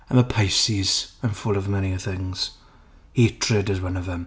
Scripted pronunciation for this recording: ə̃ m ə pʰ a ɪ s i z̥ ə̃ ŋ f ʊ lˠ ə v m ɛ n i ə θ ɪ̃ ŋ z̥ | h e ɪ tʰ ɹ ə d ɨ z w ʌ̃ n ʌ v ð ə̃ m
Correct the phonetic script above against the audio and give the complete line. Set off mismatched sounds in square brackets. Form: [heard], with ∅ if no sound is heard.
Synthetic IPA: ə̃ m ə pʰ a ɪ s i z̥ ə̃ [n] f ʊ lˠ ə v m ɛ n i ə θ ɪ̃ ŋ z̥ | h e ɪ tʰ ɹ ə d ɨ z w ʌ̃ n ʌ v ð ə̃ m